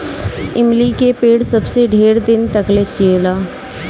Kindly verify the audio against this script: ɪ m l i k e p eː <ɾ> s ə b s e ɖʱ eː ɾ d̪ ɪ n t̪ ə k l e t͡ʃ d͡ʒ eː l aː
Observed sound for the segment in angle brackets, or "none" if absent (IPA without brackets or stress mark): ɽ